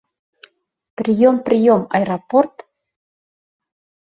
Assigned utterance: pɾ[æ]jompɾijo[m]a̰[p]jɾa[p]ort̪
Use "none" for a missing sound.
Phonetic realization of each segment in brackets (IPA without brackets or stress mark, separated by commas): i, m, none, p